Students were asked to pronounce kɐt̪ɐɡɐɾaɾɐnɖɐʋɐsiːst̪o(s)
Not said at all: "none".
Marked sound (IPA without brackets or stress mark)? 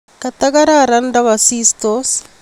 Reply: s